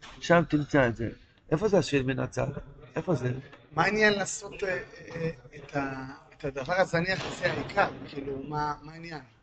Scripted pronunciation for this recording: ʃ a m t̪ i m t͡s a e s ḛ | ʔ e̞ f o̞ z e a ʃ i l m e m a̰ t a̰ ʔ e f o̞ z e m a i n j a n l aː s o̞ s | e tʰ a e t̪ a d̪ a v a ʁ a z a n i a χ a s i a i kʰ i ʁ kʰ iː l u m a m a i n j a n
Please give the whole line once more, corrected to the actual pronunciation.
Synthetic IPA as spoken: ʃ a m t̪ i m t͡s a e z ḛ | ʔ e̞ f o̞ z e a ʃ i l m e n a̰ t͡s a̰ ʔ e f o̞ z e m a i n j a n l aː s o̞ t | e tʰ a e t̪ a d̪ a v a ʁ a z a n i a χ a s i a i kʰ a ʁ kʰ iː l u m a m a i n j a n